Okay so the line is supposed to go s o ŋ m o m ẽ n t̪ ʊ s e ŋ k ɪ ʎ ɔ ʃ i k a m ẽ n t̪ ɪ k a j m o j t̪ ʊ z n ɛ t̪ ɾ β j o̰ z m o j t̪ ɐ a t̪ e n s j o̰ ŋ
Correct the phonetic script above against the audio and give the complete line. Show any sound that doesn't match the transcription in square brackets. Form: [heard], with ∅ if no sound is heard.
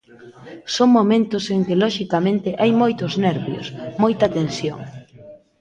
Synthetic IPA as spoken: s o ŋ m o m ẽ n t̪ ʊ s e ŋ k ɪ [l] ɔ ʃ i k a m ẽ n t̪ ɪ [ʔ] a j m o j t̪ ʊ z n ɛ [∅] ɾ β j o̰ [s] m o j t̪ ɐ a t̪ e n s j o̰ ŋ

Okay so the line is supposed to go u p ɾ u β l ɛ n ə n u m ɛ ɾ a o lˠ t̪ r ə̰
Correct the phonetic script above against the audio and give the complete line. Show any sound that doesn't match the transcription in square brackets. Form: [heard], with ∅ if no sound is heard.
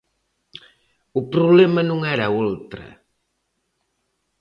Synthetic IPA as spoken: u p ɾ u β l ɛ [m] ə n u [ŋ] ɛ ɾ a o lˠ t̪ [ɾ] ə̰

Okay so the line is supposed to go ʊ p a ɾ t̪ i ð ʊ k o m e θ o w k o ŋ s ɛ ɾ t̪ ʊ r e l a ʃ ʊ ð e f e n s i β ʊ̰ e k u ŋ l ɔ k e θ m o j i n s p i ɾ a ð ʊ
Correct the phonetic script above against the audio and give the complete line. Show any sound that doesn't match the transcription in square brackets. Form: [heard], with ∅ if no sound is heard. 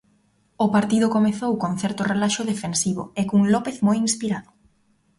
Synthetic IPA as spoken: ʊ p a ɾ t̪ i ð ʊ k o m e θ o w k o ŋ [θ] ɛ ɾ t̪ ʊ r e l a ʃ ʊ ð e f e n s i β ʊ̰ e k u ŋ l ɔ [p] e θ m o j i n s p i ɾ a ð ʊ

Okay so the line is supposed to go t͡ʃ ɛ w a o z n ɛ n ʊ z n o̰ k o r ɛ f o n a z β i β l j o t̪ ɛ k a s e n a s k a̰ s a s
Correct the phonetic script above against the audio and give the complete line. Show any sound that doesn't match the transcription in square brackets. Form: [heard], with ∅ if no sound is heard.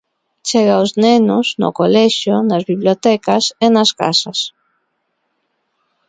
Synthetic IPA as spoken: t͡ʃ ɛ [ɣ] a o z n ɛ n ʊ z n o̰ k o [l] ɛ [ʃ] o n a z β i β l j o t̪ ɛ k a s e n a s k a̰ s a s

